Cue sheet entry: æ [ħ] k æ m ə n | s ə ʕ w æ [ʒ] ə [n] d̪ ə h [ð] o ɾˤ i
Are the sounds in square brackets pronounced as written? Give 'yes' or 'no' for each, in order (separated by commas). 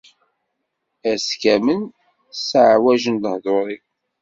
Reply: no, yes, yes, yes